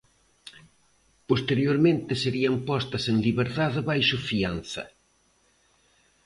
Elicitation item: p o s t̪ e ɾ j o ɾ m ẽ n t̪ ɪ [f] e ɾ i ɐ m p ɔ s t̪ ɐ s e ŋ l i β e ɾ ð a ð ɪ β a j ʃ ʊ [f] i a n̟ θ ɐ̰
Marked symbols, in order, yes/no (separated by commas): no, yes